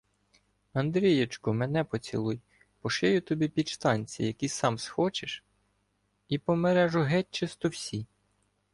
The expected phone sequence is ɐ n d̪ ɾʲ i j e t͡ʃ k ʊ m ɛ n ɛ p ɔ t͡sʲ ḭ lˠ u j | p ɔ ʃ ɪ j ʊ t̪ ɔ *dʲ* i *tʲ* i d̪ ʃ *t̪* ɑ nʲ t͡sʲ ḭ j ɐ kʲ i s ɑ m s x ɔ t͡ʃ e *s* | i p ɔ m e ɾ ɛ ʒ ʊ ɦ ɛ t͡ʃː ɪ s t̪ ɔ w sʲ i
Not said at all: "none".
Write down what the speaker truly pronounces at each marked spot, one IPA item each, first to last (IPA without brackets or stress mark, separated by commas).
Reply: bʲ, pʲ, t̪, ʃ